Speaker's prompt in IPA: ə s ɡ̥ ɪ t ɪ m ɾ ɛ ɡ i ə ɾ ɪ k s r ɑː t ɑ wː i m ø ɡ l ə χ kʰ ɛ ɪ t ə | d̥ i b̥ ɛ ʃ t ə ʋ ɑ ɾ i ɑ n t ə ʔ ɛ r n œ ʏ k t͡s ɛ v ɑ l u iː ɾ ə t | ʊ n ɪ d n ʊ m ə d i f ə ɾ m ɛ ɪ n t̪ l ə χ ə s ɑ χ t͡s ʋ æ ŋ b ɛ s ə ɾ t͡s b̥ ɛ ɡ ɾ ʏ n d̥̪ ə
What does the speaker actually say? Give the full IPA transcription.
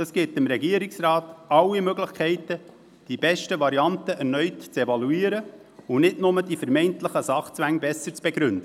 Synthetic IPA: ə s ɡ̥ ɪ t ɪ m ɾ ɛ ɡ i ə ɾ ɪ k s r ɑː t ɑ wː i m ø ɡ l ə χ kʰ ɛ ɪ t ə | d̥ i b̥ ɛ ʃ t ə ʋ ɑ ɾ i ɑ n t ə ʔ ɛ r n œ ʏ t t͡s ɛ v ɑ l u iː ɾ ə | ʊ n ɪ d n ʊ m ə d i f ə ɾ m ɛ ɪ n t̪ l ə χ ə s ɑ χ t͡s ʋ æ ŋ b ɛ s ə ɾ t͡s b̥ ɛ ɡ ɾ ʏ n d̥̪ ə